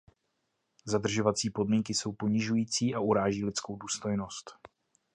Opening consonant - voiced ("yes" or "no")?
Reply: yes